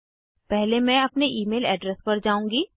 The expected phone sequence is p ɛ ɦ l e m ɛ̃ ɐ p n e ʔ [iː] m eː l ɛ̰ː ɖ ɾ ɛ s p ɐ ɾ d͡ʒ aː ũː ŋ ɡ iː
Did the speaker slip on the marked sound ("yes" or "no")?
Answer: no